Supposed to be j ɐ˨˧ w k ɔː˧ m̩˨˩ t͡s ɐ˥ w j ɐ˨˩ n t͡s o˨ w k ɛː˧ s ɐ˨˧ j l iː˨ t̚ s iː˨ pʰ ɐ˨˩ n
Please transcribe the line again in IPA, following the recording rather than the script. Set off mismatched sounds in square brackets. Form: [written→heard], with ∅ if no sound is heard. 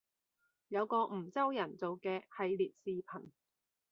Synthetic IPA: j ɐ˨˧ w k ɔː˧ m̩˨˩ t͡s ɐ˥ w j ɐ˨˩ n t͡s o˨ w k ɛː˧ [s→h] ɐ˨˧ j l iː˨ t̚ s iː˨ pʰ ɐ˨˩ n